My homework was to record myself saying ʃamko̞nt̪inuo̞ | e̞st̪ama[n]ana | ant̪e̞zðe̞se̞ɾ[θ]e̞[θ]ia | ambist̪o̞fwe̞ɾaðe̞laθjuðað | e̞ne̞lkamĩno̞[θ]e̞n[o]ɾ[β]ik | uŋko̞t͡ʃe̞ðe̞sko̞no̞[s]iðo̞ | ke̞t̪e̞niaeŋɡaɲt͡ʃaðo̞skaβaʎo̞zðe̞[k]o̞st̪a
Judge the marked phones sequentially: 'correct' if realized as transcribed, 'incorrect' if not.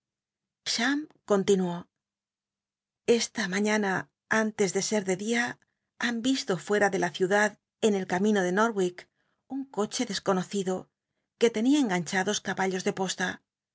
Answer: incorrect: ɲ, incorrect: ð, incorrect: ð, incorrect: ð, correct, incorrect: w, incorrect: θ, incorrect: p

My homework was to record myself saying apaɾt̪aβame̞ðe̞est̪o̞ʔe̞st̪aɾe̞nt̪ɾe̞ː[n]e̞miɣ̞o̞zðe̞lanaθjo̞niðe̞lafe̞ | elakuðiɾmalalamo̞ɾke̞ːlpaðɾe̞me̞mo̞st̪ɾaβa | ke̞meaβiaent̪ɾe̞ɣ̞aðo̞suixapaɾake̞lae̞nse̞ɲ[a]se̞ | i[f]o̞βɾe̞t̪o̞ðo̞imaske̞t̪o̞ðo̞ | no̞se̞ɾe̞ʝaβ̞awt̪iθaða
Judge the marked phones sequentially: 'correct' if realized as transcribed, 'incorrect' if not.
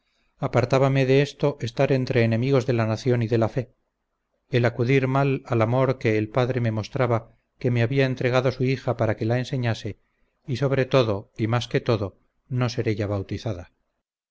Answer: correct, correct, incorrect: s

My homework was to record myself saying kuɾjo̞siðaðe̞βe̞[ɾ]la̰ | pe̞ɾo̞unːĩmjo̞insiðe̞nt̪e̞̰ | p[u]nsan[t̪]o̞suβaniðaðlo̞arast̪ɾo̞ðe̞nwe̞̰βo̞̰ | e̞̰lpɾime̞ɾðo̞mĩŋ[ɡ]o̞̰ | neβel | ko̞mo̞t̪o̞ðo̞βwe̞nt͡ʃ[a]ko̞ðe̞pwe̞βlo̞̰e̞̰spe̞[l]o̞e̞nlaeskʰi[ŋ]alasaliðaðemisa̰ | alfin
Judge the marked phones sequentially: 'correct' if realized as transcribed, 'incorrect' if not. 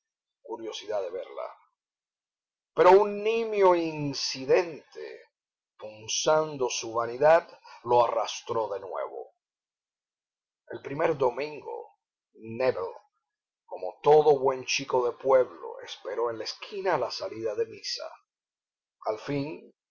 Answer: correct, correct, incorrect: d̪, correct, incorrect: i, incorrect: ɾ, incorrect: n

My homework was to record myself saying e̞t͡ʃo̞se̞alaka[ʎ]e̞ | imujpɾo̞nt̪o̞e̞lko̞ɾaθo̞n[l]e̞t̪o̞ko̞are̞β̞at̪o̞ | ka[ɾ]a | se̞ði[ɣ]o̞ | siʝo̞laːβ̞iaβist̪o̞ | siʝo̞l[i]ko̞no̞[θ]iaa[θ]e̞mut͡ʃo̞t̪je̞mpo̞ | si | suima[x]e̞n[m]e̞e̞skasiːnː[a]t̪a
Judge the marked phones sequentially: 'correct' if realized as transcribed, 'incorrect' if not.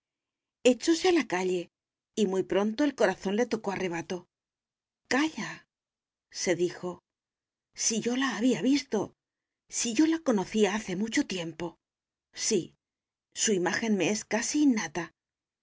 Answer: correct, correct, incorrect: ʎ, incorrect: x, incorrect: a, correct, correct, correct, correct, correct

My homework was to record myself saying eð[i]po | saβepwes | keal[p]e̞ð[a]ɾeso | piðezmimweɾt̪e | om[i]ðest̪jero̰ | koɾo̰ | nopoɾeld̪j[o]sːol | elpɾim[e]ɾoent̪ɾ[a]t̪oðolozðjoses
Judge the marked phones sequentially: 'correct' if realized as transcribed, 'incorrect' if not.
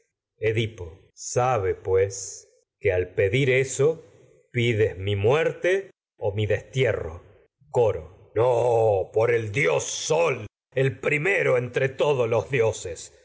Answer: correct, correct, incorrect: i, correct, correct, correct, incorrect: e

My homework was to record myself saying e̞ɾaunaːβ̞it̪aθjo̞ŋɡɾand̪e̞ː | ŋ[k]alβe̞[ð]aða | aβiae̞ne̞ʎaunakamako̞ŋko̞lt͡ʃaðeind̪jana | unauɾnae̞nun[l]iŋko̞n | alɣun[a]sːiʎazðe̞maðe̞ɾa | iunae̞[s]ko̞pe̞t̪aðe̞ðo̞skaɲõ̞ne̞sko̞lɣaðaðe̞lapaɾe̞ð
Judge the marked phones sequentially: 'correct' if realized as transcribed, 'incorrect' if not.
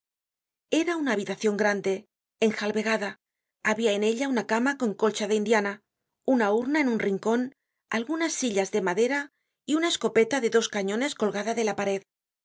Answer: incorrect: x, incorrect: ɣ, incorrect: r, correct, correct

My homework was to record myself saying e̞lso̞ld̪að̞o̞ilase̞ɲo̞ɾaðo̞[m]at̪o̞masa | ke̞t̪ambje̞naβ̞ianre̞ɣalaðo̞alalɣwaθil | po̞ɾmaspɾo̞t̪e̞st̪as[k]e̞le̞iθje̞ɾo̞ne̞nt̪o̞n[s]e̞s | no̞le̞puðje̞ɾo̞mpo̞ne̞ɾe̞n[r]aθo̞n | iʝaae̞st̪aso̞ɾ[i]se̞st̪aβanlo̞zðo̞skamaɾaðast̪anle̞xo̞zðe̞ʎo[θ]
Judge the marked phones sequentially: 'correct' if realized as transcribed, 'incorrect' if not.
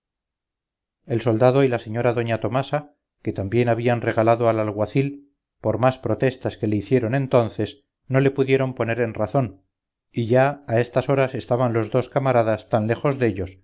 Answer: incorrect: ɲ, correct, incorrect: θ, correct, incorrect: a, incorrect: s

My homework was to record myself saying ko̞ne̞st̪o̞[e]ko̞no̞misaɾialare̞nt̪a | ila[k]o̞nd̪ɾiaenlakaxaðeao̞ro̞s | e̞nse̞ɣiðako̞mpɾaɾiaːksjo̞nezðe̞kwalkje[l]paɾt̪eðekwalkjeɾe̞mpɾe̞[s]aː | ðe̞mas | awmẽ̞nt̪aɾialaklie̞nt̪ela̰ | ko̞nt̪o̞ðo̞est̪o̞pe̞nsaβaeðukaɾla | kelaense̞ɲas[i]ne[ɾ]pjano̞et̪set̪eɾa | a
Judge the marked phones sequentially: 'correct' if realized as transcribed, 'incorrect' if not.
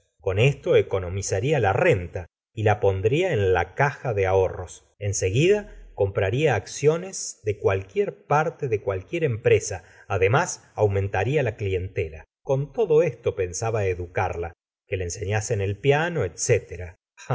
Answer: correct, incorrect: p, incorrect: ɾ, correct, incorrect: e, incorrect: l

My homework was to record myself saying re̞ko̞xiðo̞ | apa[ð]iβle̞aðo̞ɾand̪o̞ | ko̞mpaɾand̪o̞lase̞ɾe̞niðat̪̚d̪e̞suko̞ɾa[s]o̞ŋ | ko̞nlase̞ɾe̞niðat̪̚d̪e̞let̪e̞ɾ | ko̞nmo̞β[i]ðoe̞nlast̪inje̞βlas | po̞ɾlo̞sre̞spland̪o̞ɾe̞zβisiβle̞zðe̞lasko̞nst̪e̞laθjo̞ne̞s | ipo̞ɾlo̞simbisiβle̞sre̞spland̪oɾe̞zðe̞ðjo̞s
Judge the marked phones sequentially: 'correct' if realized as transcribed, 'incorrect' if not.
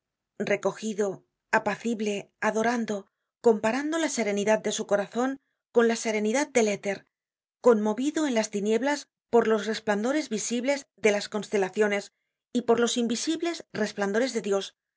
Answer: incorrect: θ, incorrect: θ, correct

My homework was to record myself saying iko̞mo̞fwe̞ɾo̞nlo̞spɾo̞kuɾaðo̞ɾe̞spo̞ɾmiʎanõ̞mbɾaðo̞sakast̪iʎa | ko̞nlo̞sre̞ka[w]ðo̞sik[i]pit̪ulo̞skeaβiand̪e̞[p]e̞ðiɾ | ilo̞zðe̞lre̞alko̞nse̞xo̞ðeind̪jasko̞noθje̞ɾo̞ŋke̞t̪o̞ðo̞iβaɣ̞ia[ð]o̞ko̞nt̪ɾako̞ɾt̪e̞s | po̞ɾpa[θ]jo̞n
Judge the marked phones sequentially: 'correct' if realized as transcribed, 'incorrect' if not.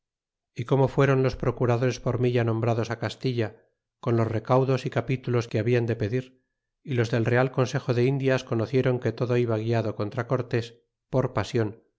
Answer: correct, incorrect: a, correct, correct, incorrect: s

